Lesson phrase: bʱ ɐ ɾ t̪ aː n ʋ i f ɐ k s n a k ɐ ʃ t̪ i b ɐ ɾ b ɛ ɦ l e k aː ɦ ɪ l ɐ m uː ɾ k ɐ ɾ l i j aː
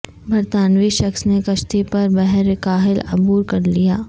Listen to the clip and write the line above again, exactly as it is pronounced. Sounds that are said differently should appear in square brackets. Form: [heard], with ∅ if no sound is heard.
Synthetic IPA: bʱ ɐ ɾ t̪ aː n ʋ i [ʃ] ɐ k s n [e] k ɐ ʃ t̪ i [p] ɐ ɾ b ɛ ɦ [ɾ] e k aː ɦ ɪ l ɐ [b] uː ɾ k ɐ ɾ l i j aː